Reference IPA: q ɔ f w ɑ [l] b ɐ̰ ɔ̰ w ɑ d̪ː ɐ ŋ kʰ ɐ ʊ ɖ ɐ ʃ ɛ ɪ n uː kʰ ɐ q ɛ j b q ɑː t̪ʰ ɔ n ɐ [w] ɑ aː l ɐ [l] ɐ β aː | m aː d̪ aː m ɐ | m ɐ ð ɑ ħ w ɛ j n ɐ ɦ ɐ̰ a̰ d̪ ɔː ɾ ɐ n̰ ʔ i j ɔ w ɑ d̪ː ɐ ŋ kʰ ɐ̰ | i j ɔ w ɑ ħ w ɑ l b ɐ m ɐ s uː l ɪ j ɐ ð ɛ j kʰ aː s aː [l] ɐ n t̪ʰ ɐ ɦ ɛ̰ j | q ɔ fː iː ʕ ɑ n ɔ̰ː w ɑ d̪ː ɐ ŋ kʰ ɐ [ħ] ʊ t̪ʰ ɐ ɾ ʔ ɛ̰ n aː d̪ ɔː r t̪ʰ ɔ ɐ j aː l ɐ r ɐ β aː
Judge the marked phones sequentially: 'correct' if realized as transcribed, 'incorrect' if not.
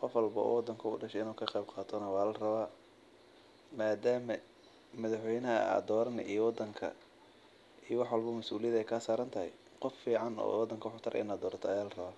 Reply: correct, correct, incorrect, incorrect, correct

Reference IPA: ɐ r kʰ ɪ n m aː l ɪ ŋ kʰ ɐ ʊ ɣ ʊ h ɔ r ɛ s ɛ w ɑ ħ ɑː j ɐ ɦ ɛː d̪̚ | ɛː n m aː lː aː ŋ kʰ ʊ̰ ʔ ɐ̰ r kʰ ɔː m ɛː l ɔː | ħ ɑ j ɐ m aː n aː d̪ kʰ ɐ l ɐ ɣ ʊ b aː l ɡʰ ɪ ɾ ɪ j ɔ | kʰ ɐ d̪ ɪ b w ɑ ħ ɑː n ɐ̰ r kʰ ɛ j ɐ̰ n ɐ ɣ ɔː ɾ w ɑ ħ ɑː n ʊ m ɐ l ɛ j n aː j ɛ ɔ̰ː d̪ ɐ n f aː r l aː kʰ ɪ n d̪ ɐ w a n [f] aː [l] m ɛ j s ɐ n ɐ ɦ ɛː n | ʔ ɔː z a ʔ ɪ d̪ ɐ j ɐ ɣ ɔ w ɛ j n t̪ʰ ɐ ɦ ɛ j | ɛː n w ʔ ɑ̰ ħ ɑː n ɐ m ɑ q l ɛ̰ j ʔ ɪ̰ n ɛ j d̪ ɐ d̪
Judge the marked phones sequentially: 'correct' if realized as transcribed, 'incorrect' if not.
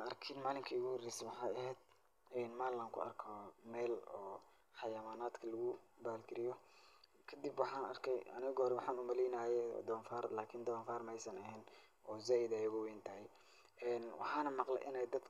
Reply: correct, incorrect

